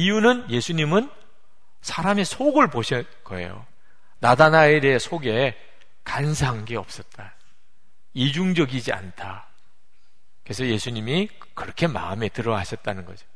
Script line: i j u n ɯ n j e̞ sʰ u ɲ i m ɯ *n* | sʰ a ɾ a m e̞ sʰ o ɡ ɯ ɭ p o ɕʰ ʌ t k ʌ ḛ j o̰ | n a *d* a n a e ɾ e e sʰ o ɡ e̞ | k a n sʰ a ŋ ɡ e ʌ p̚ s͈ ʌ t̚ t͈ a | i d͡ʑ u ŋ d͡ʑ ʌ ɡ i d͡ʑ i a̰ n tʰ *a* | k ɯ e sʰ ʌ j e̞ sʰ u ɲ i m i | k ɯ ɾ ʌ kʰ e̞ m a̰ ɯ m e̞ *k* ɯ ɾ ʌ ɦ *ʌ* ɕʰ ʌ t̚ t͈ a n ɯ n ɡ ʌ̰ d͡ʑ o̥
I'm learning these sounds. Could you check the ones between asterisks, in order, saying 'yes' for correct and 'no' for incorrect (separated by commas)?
yes, yes, yes, no, no